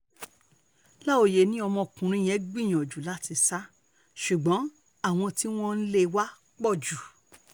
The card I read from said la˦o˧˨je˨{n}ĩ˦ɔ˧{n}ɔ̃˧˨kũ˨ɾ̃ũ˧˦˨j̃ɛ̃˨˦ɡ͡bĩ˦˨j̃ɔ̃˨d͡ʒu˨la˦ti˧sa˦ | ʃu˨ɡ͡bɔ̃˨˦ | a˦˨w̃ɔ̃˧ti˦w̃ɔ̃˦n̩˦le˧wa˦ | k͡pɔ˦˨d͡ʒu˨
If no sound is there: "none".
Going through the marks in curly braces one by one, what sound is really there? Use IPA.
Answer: n, m

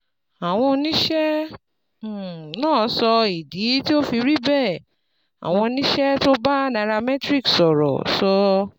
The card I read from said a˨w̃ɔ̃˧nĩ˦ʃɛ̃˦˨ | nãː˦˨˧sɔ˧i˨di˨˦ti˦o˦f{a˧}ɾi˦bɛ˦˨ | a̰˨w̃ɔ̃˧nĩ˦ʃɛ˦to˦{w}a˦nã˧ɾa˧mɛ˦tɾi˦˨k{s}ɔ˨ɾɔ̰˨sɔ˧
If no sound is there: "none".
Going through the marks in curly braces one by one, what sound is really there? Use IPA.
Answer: i˧, b, s

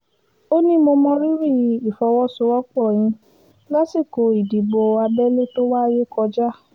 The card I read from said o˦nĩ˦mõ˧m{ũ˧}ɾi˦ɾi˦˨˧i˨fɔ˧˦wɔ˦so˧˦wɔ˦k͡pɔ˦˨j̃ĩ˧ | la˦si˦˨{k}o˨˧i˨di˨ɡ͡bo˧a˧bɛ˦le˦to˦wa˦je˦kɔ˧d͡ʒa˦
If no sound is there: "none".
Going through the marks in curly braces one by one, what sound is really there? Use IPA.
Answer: ɔ̃˧, k

